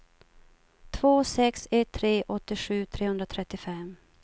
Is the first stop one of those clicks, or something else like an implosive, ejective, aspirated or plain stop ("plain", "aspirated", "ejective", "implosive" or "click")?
aspirated